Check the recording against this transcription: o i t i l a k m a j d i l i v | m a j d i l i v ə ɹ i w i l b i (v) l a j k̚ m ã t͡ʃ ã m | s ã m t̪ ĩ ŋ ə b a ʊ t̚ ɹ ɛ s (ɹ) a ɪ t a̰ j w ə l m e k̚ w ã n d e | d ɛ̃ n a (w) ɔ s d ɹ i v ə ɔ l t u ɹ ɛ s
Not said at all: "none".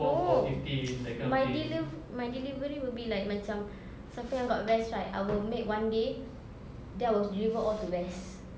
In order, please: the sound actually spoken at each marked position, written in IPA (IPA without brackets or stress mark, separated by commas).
none, ɹ, w